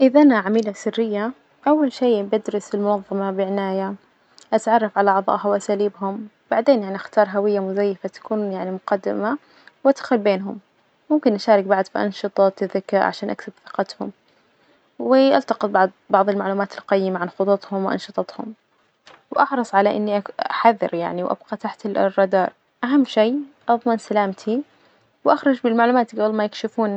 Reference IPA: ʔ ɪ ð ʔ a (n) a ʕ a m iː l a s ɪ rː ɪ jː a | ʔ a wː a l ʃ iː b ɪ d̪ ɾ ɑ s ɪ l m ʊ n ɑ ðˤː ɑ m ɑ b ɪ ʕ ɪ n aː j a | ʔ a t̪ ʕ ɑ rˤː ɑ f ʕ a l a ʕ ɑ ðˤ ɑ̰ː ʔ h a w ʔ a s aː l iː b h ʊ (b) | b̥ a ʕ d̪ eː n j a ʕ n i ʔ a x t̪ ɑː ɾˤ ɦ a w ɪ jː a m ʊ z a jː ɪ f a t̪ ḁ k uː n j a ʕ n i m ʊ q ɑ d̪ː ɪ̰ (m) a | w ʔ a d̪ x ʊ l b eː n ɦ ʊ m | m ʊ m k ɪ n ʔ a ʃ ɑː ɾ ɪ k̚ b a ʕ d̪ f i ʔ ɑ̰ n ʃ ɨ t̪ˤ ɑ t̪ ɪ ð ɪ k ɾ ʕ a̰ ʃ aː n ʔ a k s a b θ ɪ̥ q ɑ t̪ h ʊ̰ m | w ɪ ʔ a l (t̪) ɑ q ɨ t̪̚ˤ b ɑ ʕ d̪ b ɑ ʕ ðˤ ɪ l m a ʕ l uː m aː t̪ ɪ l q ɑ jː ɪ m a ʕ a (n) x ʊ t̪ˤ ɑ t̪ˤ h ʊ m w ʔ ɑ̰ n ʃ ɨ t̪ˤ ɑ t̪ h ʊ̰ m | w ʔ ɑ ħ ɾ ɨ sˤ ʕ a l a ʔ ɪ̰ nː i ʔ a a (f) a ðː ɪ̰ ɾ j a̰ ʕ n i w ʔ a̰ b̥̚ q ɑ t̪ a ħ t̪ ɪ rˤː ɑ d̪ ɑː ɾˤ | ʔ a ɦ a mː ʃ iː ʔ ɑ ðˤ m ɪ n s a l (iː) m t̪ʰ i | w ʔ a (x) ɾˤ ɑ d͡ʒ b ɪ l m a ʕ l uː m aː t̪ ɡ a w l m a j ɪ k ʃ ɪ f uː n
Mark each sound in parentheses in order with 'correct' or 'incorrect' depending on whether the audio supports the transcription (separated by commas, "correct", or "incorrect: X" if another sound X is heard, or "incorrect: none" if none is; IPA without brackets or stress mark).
correct, incorrect: m, correct, correct, correct, incorrect: ħ, incorrect: aː, correct